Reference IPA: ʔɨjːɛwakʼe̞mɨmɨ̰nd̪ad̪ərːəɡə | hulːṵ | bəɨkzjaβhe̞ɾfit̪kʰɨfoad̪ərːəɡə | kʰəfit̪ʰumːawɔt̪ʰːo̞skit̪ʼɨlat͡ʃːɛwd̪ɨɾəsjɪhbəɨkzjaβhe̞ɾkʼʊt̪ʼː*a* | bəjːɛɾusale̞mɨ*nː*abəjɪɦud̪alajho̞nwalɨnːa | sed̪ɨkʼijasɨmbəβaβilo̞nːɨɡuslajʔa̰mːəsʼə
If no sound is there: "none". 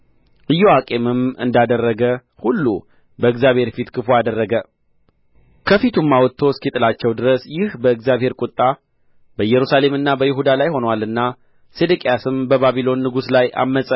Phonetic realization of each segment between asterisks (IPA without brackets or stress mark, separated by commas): a, nː